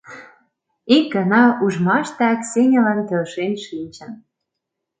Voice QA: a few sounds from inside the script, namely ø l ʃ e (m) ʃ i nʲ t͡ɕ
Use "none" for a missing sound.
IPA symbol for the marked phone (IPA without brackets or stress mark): n